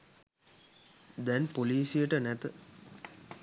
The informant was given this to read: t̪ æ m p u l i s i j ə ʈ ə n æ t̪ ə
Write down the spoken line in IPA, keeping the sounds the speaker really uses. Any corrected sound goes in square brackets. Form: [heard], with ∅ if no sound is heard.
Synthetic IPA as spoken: [d̪] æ [n] p [o] l [iː] s i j ə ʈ ə n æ t̪ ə